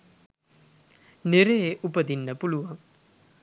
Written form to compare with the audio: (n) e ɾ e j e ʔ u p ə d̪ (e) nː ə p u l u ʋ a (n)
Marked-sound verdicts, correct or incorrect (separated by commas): correct, incorrect, incorrect